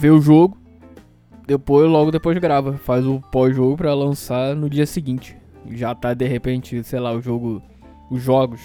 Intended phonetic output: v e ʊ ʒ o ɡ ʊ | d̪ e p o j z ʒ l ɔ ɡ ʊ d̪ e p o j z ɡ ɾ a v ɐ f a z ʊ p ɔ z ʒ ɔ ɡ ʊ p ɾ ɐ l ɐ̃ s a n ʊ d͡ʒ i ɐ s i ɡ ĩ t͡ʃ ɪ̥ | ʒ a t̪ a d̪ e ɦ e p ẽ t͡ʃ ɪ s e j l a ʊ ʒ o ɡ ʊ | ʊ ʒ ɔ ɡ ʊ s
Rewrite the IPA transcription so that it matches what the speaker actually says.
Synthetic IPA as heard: v e ʊ ʒ o ɡ ʊ | d̪ e p o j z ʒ l ɔ ɡ ʊ d̪ e p o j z ɡ ɾ a v ɐ f a z ʊ p ɔ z ʒ o ɡ ʊ p ɾ ɐ l ɐ̃ s a n ʊ d͡ʒ i ɐ s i ɡ ĩ t͡ʃ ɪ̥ | ʒ a t̪ a d̪ e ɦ e p ẽ t͡ʃ ɪ s e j l a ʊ ʒ o ɡ ʊ | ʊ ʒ ɔ ɡ ʊ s